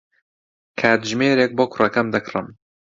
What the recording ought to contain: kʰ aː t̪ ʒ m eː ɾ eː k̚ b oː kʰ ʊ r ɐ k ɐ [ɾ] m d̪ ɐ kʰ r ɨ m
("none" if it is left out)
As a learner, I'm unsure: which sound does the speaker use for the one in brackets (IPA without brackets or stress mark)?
none